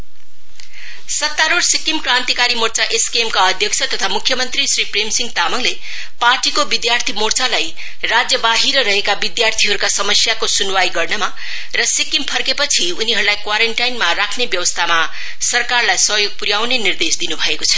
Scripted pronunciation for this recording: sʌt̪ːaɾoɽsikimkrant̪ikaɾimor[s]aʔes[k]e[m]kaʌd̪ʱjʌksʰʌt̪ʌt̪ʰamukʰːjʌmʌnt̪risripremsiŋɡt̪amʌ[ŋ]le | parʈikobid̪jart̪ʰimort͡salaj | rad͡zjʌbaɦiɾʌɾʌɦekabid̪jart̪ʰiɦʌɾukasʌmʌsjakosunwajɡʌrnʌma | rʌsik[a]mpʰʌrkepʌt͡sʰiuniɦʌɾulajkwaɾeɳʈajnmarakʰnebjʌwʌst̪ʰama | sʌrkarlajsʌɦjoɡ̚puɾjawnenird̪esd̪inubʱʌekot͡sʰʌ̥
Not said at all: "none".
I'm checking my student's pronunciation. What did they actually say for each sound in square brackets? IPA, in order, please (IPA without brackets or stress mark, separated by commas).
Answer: t͡s, k, m, ŋ, i